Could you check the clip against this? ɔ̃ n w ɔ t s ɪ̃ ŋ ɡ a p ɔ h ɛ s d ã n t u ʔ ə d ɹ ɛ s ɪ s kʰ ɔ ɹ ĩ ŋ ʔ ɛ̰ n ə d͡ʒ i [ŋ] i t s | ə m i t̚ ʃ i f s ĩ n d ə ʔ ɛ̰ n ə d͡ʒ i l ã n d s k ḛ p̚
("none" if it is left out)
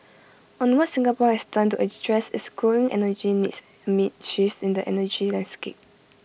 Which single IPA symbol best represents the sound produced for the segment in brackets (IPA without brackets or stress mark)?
n